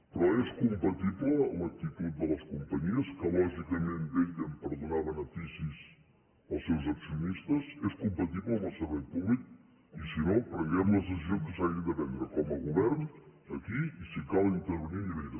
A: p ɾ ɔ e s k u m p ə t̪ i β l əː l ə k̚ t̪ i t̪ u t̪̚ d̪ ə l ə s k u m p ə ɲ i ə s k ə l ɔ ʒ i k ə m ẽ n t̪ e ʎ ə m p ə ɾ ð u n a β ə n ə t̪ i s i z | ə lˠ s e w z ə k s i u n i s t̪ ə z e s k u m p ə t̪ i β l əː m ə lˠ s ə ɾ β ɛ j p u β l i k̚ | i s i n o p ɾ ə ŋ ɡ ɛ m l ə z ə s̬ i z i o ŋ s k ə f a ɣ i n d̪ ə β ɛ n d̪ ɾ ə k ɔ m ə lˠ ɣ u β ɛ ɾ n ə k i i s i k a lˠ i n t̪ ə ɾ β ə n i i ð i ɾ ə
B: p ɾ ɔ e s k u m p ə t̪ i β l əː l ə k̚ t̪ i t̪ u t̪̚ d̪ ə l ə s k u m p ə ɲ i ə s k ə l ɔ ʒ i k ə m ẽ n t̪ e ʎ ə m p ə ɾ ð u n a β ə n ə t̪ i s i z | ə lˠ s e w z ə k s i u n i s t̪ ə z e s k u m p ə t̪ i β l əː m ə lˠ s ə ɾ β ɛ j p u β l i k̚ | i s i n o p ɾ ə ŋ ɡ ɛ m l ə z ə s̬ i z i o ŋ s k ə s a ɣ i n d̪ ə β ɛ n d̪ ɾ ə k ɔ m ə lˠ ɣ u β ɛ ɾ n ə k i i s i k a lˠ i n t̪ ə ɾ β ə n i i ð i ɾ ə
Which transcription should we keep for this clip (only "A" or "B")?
B